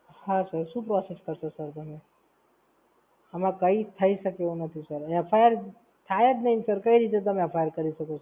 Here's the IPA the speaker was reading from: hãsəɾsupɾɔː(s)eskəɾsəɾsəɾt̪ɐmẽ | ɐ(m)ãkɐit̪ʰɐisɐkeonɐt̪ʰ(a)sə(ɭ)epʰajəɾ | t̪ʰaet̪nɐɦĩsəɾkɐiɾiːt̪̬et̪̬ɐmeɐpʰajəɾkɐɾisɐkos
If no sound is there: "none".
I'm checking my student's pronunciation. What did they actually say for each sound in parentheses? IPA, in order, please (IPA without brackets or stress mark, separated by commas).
s, m, i, ɾ